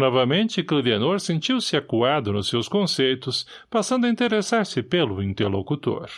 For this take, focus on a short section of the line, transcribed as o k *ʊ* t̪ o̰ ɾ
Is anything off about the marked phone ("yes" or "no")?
yes